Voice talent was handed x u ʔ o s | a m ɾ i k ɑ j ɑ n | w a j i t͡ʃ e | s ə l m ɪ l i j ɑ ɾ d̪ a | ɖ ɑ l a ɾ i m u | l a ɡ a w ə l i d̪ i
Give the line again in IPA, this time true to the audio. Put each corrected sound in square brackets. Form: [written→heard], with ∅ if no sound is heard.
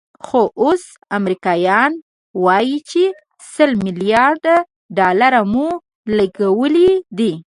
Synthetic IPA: x [u→o] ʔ o s | a m ɾ i k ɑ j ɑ n | w [a→ɑ] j i t͡ʃ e | s ə l m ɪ l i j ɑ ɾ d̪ a | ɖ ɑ l a ɾ [i→a] m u | l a ɡ a w ə l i d̪ i